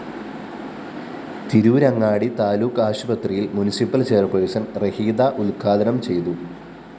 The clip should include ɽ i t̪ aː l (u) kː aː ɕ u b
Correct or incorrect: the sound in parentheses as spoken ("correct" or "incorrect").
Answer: incorrect